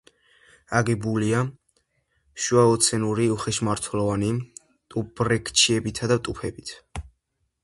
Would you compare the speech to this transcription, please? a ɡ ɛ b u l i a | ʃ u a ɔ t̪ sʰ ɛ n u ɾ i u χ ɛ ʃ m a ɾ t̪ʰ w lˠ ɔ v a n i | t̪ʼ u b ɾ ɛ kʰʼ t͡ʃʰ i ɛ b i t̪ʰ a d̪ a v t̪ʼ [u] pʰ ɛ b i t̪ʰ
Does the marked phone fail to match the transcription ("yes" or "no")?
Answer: no